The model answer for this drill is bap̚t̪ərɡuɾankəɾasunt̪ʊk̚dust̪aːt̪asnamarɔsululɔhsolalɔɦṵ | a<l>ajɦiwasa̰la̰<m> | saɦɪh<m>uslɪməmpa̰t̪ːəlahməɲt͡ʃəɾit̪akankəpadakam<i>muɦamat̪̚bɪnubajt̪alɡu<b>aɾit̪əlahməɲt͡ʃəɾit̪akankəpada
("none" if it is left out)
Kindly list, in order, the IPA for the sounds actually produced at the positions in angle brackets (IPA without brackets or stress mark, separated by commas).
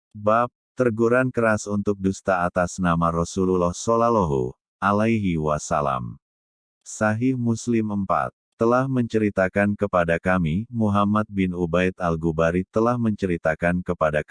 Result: l, m, m, i, b